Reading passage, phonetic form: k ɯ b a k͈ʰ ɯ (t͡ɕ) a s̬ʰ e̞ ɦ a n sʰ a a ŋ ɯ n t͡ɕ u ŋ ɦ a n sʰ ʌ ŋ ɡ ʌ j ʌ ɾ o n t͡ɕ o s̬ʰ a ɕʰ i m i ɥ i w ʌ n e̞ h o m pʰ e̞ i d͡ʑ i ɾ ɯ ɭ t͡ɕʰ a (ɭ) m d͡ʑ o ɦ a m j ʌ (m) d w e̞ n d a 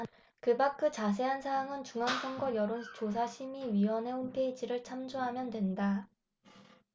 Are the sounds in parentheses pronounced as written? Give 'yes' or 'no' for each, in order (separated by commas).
yes, no, no